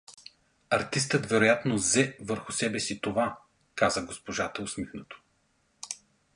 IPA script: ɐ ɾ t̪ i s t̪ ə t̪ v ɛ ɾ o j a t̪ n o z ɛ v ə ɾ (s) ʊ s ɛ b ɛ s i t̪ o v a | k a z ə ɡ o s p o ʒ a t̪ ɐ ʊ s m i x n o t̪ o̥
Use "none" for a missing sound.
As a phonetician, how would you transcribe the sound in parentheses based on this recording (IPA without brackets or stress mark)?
x